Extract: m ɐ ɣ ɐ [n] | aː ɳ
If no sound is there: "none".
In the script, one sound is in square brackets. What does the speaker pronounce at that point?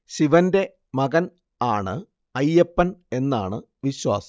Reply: n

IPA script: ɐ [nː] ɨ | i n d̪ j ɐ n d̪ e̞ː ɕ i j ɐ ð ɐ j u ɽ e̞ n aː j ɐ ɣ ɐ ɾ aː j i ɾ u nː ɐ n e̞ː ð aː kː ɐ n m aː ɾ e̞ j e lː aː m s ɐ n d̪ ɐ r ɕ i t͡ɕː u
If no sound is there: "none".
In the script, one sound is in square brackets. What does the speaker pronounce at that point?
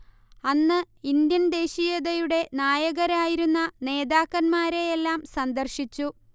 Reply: nː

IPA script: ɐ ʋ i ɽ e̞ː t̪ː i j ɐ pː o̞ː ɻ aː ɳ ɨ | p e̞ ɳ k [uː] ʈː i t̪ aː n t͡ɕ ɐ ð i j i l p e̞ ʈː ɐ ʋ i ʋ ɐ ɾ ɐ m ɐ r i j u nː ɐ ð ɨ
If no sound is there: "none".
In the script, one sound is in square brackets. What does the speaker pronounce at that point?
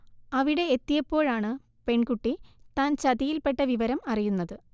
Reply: u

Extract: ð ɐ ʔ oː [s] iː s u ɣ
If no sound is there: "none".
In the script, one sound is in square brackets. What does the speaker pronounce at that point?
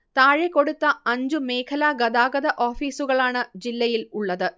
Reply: f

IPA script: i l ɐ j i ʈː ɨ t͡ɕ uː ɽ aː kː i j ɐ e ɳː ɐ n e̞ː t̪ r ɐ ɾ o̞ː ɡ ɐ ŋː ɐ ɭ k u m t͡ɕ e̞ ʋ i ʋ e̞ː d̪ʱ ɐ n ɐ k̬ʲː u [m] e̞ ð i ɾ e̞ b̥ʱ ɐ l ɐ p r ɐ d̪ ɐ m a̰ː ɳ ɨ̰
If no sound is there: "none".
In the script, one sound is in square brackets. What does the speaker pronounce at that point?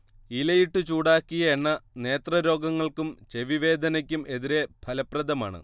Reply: m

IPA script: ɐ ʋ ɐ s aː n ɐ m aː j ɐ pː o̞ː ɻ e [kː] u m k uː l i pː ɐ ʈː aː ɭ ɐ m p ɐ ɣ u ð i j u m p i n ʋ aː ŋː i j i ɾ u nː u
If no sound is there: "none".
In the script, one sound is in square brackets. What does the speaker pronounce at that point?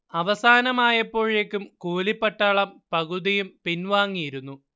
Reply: kː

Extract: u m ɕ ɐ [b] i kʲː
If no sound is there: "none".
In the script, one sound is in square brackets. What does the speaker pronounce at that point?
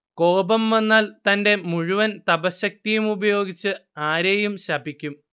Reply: b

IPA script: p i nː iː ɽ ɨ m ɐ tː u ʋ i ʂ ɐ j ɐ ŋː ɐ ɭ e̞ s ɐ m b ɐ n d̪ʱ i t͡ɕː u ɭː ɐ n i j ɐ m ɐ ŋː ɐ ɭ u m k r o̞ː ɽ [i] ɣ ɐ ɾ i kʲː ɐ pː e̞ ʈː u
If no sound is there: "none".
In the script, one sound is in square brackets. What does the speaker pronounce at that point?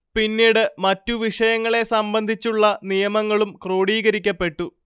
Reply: iː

